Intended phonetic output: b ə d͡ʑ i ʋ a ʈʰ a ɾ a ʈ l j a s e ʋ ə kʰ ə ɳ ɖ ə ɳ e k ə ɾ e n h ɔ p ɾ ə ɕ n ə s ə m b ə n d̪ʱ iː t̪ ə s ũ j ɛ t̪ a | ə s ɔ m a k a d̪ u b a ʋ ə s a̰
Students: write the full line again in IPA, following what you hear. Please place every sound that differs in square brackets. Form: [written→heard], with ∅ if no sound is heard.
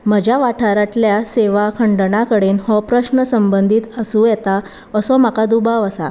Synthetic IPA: [b→m] ə d͡ʑ [i→a] ʋ a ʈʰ a ɾ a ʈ l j a s e ʋ [ə→a] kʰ ə ɳ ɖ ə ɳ [e→a] k ə [ɾ→ɽ] e n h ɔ p ɾ ə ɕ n ə s ə m b ə n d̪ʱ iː t̪ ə s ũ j ɛ t̪ a | ə s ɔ m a k a d̪ u b a ʋ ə s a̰